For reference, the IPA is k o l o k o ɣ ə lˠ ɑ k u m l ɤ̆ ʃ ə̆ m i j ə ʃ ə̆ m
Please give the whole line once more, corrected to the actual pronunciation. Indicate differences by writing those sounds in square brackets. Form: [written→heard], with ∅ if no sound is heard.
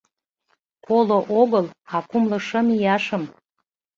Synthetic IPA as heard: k o l o [k→ʔ] o ɣ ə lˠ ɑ k u m l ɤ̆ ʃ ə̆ m i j [ə→ɑ] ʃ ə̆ m